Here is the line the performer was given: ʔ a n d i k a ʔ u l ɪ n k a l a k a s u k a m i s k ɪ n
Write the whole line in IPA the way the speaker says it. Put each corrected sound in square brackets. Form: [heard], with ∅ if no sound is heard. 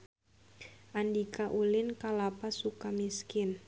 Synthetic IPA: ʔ a n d i k a ʔ u l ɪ n k a l a [p] a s u k a m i s k ɪ n